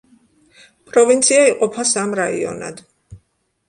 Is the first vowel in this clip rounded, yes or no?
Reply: yes